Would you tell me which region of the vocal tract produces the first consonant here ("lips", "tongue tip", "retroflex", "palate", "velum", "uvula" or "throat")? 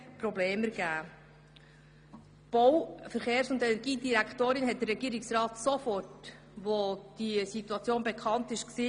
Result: lips